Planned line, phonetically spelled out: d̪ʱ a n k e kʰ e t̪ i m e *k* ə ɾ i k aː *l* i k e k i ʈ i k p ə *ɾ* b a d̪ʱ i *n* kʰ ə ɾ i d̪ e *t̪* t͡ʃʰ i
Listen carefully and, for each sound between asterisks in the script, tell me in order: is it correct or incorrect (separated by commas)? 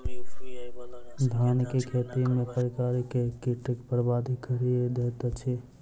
incorrect, incorrect, correct, incorrect, correct